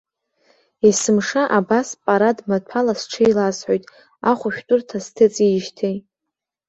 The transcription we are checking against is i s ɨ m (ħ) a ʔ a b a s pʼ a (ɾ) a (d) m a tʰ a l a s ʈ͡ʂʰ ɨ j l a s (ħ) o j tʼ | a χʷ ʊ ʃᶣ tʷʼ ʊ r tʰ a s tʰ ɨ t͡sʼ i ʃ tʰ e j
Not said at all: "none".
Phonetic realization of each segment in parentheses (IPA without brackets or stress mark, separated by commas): ʂ, ɾ, d, ħ